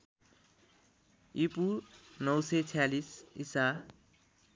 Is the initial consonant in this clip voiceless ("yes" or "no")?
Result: yes